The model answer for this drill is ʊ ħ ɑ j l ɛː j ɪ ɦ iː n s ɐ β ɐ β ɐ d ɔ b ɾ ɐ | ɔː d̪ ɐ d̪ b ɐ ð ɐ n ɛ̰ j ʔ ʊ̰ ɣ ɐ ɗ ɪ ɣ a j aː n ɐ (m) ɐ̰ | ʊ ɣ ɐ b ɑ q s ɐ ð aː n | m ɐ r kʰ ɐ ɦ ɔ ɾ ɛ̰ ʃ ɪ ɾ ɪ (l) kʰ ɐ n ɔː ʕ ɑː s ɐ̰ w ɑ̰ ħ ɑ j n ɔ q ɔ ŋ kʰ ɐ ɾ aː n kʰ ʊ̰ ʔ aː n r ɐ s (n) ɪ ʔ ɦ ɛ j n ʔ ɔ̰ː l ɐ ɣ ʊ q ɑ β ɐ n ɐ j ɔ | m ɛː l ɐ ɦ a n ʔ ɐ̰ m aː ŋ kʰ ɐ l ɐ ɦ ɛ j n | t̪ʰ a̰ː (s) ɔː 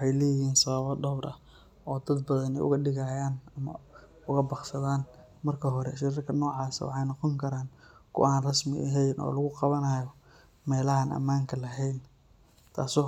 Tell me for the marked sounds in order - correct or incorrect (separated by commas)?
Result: correct, incorrect, incorrect, correct